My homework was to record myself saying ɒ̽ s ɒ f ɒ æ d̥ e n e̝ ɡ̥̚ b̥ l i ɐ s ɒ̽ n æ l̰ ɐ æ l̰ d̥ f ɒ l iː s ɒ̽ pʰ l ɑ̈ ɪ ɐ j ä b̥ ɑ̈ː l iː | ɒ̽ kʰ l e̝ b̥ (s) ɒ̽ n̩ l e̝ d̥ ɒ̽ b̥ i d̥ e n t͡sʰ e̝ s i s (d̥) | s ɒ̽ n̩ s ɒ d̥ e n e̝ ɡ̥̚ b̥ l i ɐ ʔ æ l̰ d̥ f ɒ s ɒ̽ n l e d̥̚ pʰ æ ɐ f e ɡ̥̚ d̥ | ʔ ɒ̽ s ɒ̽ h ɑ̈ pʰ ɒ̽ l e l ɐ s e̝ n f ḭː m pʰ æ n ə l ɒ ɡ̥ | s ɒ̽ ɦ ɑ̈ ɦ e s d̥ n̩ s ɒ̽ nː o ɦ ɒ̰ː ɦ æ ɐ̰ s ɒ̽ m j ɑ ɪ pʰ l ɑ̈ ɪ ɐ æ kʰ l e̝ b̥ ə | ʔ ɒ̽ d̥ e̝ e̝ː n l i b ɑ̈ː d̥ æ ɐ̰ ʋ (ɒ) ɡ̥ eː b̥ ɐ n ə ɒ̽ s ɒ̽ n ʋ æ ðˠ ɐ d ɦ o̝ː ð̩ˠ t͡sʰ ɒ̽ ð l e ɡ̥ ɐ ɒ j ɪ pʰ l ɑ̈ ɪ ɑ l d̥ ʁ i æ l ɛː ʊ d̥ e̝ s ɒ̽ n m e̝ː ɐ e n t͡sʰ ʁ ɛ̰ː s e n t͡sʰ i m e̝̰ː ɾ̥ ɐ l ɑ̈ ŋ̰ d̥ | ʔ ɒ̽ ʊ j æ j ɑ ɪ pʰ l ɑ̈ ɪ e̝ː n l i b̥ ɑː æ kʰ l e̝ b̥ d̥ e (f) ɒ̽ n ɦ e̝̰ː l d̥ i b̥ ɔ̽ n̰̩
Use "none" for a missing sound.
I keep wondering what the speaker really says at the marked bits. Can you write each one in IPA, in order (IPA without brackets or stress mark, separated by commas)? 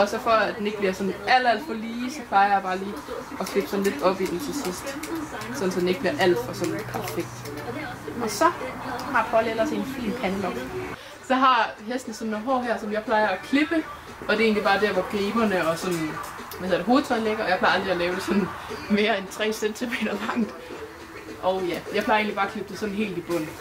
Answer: s, d̥, ɒ, s